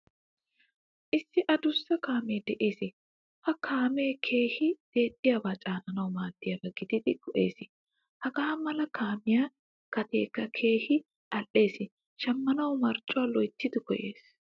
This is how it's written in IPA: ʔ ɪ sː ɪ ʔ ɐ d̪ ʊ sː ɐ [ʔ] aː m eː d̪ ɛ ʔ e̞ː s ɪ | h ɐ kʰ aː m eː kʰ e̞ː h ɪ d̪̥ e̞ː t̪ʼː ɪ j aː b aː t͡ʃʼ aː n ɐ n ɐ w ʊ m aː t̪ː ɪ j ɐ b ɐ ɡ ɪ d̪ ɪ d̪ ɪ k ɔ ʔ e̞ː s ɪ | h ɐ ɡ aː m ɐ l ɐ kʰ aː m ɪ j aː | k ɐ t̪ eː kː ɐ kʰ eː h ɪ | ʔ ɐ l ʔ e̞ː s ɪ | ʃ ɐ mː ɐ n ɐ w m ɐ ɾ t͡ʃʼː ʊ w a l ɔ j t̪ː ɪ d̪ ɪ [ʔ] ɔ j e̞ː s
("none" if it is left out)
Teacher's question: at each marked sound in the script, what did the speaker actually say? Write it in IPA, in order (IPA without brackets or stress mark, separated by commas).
k, k